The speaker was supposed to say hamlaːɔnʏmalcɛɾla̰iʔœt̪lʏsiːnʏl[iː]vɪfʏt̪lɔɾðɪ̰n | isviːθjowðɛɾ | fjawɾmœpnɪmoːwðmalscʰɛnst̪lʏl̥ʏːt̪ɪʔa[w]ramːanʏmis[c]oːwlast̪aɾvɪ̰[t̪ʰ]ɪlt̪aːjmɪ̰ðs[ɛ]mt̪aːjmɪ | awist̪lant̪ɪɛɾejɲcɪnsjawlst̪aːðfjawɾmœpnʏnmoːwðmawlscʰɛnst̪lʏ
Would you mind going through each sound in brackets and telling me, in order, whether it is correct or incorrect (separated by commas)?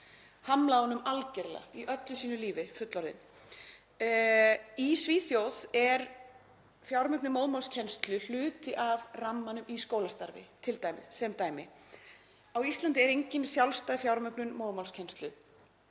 correct, incorrect, incorrect, correct, correct